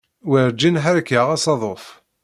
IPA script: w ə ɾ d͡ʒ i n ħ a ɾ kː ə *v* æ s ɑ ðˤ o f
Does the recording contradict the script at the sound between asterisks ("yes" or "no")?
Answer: yes